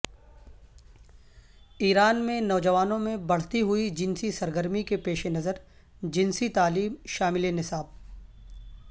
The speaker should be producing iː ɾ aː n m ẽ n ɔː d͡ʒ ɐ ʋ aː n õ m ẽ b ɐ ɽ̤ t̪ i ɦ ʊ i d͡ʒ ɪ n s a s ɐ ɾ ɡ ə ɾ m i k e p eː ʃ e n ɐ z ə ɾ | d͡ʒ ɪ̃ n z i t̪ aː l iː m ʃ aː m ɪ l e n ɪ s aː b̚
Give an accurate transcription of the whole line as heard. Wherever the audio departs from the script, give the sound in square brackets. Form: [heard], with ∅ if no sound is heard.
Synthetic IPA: iː ɾ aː n m ẽ n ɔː d͡ʒ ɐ ʋ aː n õ m ẽ b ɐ ɽ̤ t̪ i ɦ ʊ i d͡ʒ ɪ n s [i] s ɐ ɾ ɡ ə ɾ m i k e p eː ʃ e n ɐ z ə ɾ | d͡ʒ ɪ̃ n [s] i t̪ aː l iː m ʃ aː m ɪ l e n ɪ s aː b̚

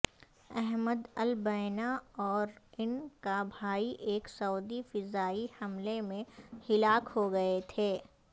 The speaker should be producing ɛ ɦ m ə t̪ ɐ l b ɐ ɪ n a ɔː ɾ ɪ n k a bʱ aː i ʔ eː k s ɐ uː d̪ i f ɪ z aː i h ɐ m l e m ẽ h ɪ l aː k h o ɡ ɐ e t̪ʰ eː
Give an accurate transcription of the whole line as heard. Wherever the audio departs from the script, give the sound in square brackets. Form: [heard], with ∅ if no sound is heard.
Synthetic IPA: ɛ ɦ m ə [d̪] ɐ l b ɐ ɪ n a ɔː ɾ ɪ n k a bʱ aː i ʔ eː k s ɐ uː d̪ i f ɪ z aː i h ɐ m l e m ẽ h ɪ l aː k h o ɡ ɐ e t̪ʰ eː

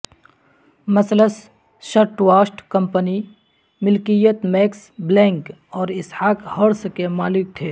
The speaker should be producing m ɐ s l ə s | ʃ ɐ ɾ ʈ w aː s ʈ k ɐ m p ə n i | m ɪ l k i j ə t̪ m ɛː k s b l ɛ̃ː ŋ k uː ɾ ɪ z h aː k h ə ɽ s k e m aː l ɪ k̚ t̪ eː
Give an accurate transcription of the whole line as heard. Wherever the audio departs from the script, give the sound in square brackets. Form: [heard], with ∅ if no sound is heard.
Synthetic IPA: m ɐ s l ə s | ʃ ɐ ɾ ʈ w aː s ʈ k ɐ m p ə n i | m ɪ l k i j ə t̪ m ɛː k s b l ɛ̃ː ŋ k [ɔː] ɾ ɪ [s] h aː k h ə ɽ s k e m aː l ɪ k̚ [t̪ʰ] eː

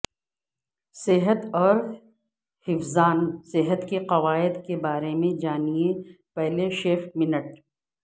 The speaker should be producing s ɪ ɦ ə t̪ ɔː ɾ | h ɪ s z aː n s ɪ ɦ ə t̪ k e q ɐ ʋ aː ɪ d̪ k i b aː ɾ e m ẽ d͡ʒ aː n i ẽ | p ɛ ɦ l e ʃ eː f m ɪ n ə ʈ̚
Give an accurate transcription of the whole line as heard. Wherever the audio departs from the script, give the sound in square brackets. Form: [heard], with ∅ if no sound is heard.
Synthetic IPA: s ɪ ɦ ə t̪ ɔː ɾ | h ɪ [f] z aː n s ɪ ɦ ə t̪ k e q ɐ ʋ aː ɪ d̪ k [e] b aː ɾ e m ẽ d͡ʒ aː n i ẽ | p ɛ ɦ l e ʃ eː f m ɪ n ə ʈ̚

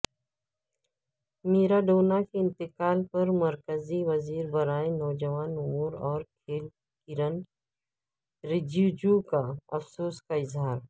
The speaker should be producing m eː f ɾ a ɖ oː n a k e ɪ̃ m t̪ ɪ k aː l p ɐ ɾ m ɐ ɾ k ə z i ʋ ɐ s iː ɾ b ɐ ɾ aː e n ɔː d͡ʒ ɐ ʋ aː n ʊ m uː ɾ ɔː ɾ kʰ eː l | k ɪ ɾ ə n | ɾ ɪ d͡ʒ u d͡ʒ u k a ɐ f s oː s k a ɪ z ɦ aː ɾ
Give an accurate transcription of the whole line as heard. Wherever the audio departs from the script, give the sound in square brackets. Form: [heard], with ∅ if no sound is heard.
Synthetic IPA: m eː [∅] ɾ a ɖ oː n a k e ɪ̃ [n] t̪ ɪ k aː l p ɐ ɾ m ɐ ɾ k ə z i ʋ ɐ [z] iː ɾ b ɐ ɾ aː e n ɔː d͡ʒ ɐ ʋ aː n ʊ m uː ɾ ɔː ɾ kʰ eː l | k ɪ ɾ ə n | ɾ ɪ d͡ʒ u d͡ʒ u k a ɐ f s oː s k a ɪ z ɦ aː ɾ

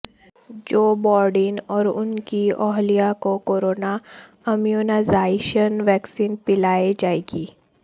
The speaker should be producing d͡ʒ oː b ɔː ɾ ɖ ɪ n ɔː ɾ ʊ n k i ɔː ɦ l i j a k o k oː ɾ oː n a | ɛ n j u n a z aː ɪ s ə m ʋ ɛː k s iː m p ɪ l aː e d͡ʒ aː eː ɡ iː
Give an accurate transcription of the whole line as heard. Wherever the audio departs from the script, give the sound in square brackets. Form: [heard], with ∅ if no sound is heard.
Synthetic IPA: d͡ʒ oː b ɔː ɾ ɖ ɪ n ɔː ɾ ʊ n k i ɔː ɦ l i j a k o k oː ɾ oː n a | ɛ [m] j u n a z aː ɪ [ʃ] ə [n] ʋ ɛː k s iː [n] p ɪ l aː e d͡ʒ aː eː ɡ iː

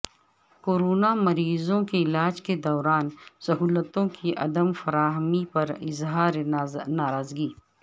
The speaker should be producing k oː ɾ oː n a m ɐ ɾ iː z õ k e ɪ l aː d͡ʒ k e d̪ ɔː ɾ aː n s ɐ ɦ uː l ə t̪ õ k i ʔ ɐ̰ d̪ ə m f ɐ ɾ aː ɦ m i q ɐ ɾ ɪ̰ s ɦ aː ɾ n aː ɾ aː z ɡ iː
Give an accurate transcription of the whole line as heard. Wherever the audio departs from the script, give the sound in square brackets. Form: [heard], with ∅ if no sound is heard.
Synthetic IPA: k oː ɾ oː n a m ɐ ɾ iː z õ k e ɪ l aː d͡ʒ k e d̪ ɔː ɾ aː n s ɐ ɦ uː l ə t̪ õ k i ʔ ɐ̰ d̪ ə m f ɐ ɾ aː ɦ m i [p] ɐ ɾ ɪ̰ [z] ɦ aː ɾ n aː ɾ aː z ɡ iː

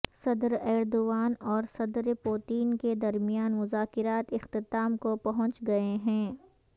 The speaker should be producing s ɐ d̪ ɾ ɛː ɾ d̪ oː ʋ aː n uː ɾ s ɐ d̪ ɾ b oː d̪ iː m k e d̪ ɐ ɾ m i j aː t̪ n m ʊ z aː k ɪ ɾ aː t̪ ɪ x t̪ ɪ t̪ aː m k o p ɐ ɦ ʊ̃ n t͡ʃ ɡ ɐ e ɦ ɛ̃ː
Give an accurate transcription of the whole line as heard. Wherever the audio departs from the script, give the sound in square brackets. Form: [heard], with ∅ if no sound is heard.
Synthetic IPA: s ɐ d̪ ɾ ɛː ɾ d̪ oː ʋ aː n [ɔː] ɾ s ɐ d̪ ɾ [p] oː [t̪] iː [n] k e d̪ ɐ ɾ m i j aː [∅] n m ʊ z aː k ɪ ɾ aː t̪ ɪ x t̪ ɪ t̪ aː m k o p ɐ ɦ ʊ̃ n t͡ʃ ɡ ɐ e ɦ ɛ̃ː

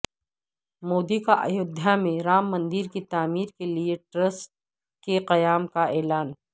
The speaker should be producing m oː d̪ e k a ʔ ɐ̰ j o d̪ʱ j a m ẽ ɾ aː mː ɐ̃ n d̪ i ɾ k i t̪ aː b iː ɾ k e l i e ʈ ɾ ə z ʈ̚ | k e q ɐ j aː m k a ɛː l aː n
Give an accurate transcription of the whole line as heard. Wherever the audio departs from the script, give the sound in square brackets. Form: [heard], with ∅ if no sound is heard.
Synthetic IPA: m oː d̪ [i] k a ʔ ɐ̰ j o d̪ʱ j a m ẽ ɾ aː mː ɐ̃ n d̪ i ɾ k i t̪ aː [m] iː ɾ k e l i e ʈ ɾ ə [s] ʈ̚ | k e q ɐ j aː m k a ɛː l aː n

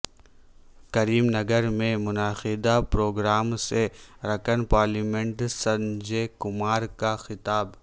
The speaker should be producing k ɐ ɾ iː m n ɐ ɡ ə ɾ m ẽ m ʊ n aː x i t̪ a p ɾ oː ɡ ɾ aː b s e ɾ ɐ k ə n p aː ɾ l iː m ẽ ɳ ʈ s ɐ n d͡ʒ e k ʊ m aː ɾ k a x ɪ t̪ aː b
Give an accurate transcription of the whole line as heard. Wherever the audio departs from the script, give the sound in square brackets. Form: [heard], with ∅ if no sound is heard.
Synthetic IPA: k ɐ ɾ iː m n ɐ ɡ ə ɾ m ẽ m ʊ n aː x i [d̪] a p ɾ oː ɡ ɾ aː [m] s e ɾ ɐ k ə n p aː ɾ l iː m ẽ ɳ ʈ s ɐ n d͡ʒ e k ʊ m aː ɾ k a x ɪ t̪ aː b

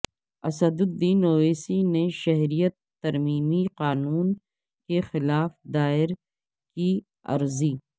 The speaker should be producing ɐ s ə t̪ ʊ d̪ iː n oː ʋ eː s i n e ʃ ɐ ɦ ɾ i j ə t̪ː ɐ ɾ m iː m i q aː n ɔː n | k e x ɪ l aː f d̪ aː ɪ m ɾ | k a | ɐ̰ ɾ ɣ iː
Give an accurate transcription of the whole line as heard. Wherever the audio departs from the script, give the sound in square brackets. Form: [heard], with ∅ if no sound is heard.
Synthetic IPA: ɐ s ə [d̪] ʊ d̪ iː n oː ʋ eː s i n e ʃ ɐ ɦ ɾ i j ə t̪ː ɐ ɾ m iː m i q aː n [uː] n | k e x ɪ l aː f d̪ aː ɪ [∅] ɾ | k [i] | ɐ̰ ɾ [z] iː

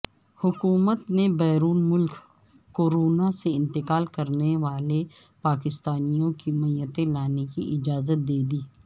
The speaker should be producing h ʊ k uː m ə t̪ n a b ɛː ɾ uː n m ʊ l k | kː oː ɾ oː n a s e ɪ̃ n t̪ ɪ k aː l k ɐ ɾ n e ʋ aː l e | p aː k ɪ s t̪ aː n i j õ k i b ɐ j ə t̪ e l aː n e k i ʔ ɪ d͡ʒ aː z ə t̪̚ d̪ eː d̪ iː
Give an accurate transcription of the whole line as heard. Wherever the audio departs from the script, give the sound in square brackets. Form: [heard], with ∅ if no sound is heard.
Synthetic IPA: h ʊ k uː m ə t̪ n [e] b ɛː ɾ uː n m ʊ l k | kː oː ɾ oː n a s e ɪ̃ n t̪ ɪ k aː l k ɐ ɾ n e ʋ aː l e | p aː k ɪ s t̪ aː n i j õ k i [m] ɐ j ə t̪ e l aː n e k i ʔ ɪ d͡ʒ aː z ə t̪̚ d̪ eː d̪ iː

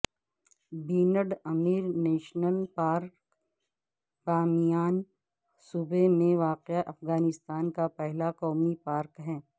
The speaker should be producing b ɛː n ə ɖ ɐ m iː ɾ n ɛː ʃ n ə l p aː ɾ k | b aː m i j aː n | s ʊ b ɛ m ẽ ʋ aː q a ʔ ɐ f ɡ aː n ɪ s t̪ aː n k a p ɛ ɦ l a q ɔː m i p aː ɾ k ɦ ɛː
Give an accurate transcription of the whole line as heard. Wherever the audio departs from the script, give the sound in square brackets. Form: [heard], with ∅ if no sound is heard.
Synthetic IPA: b [iː] n ə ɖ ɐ m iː ɾ n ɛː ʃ n ə l p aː ɾ k | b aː m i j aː n | s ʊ b [e] m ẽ ʋ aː q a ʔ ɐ f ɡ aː n ɪ s t̪ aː n k a p ɛ ɦ l a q ɔː m i p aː ɾ k ɦ ɛː

